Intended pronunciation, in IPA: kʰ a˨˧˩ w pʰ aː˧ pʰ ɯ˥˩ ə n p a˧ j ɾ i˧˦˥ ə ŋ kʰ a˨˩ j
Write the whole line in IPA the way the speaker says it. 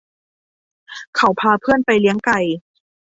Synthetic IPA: kʰ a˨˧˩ w pʰ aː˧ pʰ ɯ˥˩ ə n p a˧ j l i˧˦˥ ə ŋ k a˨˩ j